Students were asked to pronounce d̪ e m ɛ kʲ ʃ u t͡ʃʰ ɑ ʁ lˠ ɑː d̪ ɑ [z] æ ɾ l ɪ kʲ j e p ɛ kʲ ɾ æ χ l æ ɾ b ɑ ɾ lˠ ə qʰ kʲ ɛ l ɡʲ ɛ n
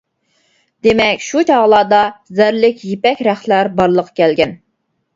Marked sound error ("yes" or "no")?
no